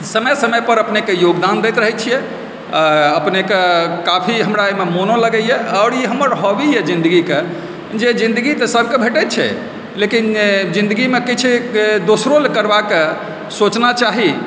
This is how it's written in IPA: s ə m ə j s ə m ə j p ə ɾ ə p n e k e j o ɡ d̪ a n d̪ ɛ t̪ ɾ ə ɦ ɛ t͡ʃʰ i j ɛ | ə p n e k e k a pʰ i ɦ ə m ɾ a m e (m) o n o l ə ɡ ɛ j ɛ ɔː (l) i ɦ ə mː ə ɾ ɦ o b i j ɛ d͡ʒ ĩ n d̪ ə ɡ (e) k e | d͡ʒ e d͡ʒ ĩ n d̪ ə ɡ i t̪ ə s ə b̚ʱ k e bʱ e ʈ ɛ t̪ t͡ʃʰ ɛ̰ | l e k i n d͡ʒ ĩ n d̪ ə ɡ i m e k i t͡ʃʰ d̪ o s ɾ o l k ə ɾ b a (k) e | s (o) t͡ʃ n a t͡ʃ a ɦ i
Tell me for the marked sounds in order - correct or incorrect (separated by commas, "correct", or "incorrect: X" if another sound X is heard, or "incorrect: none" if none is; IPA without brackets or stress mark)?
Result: correct, incorrect: ɾ, incorrect: i, correct, correct